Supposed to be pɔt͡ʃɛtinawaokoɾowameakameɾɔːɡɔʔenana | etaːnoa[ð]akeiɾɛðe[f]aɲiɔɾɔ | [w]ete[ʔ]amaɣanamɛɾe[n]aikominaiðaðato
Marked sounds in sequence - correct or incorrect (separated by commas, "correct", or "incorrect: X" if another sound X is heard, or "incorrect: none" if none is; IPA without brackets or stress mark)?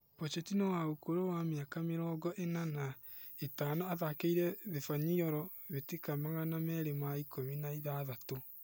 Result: correct, correct, incorrect: β, incorrect: k, incorrect: m